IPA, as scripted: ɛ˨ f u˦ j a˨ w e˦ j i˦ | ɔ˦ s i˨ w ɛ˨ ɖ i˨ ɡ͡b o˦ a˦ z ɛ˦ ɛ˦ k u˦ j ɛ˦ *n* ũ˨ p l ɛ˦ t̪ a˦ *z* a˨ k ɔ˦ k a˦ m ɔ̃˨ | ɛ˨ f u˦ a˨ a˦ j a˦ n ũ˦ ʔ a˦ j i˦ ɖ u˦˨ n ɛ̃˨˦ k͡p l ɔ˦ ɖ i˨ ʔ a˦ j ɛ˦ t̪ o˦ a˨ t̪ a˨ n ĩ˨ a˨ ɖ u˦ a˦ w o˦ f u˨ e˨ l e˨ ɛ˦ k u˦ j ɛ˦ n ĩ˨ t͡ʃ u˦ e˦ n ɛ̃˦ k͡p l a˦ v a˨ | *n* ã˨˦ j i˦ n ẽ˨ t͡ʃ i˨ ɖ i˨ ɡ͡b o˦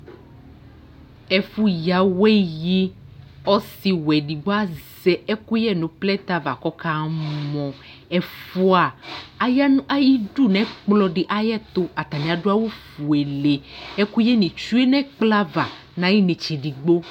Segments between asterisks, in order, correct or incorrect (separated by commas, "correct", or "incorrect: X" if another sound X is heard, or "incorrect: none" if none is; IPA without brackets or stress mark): correct, incorrect: v, correct